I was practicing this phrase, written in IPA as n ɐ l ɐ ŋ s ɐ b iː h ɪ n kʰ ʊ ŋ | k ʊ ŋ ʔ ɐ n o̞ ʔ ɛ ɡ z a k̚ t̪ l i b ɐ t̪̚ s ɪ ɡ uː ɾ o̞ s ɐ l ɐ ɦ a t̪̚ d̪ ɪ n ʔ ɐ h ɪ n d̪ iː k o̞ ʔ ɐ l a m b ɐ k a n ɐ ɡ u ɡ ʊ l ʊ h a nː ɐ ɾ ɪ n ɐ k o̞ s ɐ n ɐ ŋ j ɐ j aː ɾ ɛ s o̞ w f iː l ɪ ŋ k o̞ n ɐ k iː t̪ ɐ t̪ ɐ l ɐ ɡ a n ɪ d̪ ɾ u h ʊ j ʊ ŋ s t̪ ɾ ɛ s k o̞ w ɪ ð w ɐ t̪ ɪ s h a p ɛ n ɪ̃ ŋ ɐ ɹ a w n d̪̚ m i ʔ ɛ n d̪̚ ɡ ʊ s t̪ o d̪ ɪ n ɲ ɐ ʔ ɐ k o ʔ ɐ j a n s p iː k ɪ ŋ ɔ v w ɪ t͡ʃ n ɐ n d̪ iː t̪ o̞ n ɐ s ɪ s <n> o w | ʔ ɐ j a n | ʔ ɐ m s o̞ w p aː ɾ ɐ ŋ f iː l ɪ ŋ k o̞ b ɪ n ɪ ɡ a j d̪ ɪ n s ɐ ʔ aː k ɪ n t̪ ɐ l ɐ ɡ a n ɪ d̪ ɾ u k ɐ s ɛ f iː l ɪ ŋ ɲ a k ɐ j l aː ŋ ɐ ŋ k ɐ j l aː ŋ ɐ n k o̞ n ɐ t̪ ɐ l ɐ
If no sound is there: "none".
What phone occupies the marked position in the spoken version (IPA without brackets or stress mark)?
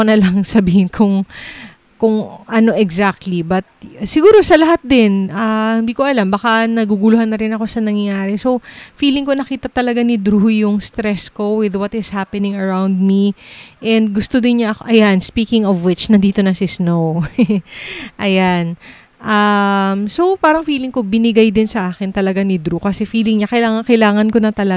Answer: n